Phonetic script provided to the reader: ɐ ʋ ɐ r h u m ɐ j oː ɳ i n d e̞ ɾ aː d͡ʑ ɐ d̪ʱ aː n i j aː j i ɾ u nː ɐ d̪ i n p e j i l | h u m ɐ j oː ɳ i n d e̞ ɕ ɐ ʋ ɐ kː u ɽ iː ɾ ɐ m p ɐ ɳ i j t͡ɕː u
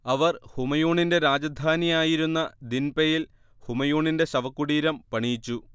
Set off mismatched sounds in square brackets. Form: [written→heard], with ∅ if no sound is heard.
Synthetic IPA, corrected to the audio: ɐ ʋ ɐ r h u m ɐ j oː ɳ i n d e̞ ɾ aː d͡ʑ ɐ d̪ʱ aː n i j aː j i ɾ u nː ɐ d̪ i n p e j i l | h u m ɐ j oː ɳ i n d e̞ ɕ ɐ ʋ ɐ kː u ɽ iː ɾ ɐ m p ɐ ɳ i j t͡ɕː u